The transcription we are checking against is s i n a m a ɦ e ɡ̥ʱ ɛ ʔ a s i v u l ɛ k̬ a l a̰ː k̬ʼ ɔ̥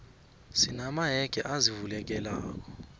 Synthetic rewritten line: s i n a m a ɦ ɛ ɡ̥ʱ ɛ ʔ a z i v u l ɛ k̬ ɛ l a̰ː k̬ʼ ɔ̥